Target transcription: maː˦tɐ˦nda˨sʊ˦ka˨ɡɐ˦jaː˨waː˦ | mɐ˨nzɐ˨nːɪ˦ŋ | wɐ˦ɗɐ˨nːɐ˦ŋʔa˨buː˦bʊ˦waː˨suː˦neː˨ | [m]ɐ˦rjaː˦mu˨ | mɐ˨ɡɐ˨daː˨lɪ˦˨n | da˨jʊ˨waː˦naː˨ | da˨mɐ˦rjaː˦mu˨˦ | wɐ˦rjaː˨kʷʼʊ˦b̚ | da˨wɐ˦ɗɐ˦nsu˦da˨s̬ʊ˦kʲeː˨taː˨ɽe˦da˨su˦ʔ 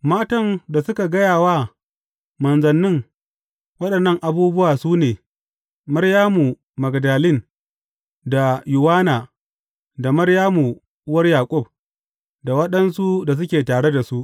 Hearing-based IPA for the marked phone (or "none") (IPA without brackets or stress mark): m